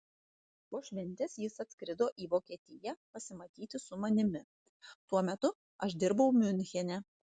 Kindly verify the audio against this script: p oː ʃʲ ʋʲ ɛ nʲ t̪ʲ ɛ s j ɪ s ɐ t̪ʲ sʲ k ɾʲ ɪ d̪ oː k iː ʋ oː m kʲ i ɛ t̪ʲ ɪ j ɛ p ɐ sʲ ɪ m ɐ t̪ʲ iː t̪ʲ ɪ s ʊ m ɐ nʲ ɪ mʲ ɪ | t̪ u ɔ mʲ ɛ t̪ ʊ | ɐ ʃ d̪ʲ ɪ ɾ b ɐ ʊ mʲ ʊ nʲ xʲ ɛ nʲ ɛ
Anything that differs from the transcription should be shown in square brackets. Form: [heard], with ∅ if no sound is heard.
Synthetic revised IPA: p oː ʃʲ ʋʲ ɛ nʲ t̪ʲ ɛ s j ɪ s ɐ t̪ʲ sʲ k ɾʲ ɪ d̪ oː [ʔ] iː ʋ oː [∅] kʲ i ɛ t̪ʲ ɪ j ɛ p ɐ sʲ ɪ m ɐ t̪ʲ iː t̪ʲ ɪ s ʊ m ɐ nʲ ɪ mʲ ɪ | t̪ u ɔ mʲ ɛ t̪ ʊ | ɐ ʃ d̪ʲ ɪ ɾ b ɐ ʊ mʲ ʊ nʲ xʲ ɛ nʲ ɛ